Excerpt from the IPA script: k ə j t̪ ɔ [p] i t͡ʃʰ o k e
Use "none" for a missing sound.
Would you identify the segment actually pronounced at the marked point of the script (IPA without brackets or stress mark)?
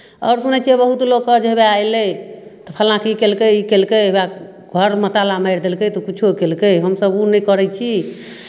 k